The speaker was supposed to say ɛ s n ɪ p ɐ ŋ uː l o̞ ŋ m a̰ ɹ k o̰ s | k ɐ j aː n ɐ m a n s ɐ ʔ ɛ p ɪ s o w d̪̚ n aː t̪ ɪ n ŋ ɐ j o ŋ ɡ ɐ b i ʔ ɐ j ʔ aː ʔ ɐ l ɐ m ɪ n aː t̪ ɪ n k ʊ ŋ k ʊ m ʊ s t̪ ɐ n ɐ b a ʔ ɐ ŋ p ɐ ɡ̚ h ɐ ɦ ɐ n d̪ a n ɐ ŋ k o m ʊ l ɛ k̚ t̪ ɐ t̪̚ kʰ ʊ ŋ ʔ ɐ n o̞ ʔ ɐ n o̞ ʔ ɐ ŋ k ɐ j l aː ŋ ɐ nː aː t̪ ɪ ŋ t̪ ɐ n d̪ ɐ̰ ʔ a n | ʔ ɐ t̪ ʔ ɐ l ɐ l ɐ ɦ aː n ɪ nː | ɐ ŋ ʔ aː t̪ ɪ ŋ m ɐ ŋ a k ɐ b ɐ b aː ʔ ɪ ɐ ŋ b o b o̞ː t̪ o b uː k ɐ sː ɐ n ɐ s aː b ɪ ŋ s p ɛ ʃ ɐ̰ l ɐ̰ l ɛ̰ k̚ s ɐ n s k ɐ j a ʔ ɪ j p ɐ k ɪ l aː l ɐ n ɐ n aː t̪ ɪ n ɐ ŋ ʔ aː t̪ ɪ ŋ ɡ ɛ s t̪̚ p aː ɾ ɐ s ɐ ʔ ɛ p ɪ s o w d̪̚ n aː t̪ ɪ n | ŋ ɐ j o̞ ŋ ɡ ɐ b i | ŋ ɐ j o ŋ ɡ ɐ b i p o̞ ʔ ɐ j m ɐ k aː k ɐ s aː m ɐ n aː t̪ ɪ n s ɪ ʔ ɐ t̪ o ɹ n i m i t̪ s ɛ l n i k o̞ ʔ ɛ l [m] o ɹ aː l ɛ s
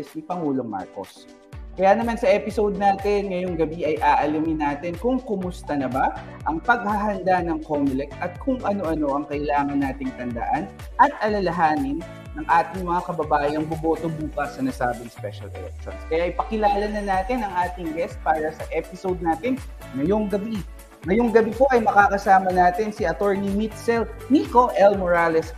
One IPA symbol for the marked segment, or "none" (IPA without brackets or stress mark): m